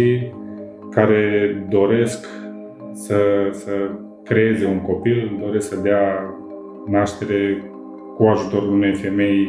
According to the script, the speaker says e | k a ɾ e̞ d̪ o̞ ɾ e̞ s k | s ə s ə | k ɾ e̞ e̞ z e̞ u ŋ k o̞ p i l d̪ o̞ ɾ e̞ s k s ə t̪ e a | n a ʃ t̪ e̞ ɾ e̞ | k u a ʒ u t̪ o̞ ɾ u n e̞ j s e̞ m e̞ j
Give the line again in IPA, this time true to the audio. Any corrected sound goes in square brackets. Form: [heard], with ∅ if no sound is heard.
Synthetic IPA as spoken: [i] | k a ɾ e̞ d̪ o̞ ɾ e̞ s k | s ə s ə | k ɾ e̞ e̞ z e̞ u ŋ k o̞ p i l d̪ o̞ ɾ e̞ s k s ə [d̪] e a | n a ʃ t̪ e̞ ɾ e̞ | k u a ʒ u t̪ o̞ ɾ u n e̞ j [f] e̞ m e̞ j